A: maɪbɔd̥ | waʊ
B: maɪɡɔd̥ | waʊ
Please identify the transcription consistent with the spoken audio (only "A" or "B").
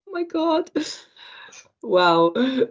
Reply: B